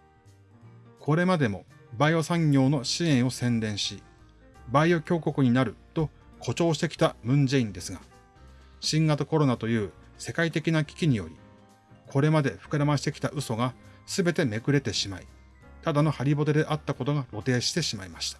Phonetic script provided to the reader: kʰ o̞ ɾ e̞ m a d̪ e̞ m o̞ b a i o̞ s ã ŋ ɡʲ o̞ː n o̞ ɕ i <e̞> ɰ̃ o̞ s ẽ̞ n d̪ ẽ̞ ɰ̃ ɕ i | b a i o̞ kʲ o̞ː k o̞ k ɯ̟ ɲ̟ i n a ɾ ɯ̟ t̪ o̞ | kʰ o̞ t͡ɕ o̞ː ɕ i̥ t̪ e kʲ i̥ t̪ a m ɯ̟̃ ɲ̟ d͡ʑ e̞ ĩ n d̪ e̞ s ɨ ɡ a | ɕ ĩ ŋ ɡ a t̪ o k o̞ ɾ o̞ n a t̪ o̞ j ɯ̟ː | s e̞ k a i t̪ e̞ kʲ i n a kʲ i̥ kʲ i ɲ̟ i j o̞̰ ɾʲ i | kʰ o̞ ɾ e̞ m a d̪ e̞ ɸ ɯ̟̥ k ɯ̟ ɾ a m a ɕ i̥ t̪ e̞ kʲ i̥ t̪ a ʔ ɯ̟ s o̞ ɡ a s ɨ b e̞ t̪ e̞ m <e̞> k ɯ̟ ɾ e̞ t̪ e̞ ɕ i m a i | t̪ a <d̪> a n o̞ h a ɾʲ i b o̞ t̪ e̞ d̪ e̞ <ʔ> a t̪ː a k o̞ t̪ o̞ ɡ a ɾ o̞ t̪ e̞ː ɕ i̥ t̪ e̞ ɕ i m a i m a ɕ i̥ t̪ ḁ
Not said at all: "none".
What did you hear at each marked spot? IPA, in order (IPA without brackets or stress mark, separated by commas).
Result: ẽ̞, e̞, d̪, ʔ